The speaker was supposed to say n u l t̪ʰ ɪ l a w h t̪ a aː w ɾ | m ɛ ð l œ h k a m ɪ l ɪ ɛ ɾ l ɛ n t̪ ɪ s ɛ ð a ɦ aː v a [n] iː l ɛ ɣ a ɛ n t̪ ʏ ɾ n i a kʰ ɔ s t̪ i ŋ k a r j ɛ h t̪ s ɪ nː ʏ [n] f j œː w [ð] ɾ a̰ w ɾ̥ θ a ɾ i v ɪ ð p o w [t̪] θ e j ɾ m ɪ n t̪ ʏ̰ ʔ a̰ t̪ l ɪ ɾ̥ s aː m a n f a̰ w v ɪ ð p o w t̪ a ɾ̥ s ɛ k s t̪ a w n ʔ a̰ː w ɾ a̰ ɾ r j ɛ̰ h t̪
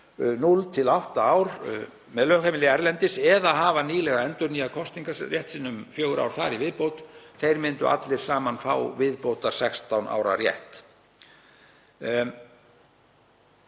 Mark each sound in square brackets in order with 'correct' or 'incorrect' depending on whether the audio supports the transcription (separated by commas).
correct, incorrect, incorrect, correct